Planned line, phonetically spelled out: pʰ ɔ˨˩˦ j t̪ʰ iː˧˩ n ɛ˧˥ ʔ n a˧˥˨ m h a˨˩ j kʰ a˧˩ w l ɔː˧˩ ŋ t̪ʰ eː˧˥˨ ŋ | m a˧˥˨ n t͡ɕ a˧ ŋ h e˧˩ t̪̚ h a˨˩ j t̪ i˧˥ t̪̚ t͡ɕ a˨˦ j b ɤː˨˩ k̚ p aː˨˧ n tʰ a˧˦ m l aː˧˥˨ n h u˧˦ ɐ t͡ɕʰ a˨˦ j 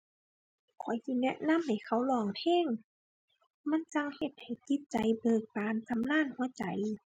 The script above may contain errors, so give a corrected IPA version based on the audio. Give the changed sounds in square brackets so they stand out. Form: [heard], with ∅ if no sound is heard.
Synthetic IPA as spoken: [kʰ] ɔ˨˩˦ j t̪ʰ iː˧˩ n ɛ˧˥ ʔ n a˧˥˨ m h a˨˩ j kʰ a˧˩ w l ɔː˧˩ ŋ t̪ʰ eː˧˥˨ ŋ | m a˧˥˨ n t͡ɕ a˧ ŋ h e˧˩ t̪̚ h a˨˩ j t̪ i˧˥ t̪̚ t͡ɕ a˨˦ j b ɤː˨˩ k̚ p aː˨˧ n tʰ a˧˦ m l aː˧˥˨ n h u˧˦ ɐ [t͡ɕ] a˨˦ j